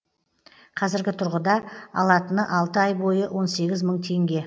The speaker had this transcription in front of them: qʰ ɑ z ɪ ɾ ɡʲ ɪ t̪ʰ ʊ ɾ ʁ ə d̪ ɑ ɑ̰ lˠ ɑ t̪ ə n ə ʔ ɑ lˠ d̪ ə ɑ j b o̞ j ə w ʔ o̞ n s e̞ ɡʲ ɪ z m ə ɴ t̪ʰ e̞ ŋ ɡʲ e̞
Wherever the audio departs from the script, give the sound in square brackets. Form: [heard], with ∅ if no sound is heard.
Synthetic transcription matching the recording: qʰ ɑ z ɪ ɾ ɡʲ ɪ t̪ʰ ʊ ɾ ʁ ə d̪ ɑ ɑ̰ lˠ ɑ t̪ ə n ə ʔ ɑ lˠ [t̪] ə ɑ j b o̞ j ə w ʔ o̞ n s e̞ ɡʲ ɪ z m ə ɴ t̪ʰ e̞ ŋ ɡʲ e̞